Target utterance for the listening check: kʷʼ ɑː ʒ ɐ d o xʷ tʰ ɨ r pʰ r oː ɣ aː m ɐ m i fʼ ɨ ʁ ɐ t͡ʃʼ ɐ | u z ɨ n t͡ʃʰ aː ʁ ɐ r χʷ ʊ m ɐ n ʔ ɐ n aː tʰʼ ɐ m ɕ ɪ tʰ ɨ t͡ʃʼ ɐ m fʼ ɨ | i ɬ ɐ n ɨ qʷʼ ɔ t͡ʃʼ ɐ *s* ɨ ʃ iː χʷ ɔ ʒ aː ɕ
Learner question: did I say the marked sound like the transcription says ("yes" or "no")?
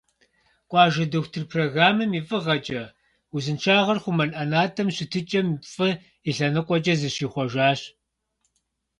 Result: no